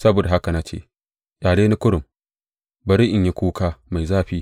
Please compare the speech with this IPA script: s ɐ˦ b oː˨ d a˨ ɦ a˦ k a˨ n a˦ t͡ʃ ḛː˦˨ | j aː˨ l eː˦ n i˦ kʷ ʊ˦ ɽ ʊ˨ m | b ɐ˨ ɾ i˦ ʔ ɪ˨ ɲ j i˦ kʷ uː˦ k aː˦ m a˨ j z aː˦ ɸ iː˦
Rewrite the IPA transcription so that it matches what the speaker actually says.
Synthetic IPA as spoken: s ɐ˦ b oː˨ d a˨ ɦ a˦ k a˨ n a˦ t͡ʃ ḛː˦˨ | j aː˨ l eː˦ n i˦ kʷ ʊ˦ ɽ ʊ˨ m | b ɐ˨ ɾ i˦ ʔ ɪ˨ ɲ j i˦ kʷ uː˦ k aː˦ m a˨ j z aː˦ ɸ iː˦